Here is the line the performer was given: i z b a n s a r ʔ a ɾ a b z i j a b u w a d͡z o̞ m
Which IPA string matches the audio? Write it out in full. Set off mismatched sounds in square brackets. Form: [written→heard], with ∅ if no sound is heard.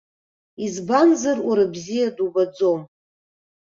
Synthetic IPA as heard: i z b a n [s→z] a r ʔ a ɾ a b z i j a [b→d] u [w→b] a d͡z o̞ m